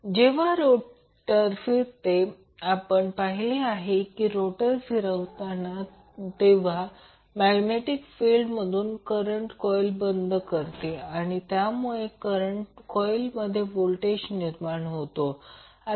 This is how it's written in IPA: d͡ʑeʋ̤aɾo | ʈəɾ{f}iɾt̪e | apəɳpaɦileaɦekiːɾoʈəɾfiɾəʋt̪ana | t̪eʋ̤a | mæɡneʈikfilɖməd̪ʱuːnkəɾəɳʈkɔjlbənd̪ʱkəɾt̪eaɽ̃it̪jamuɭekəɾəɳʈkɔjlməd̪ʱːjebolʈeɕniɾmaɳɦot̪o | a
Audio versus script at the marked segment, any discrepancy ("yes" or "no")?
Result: no